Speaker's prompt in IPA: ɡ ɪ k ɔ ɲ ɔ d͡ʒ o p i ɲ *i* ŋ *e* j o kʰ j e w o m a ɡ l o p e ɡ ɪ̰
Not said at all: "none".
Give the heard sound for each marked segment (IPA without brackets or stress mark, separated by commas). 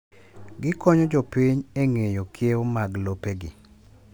e, e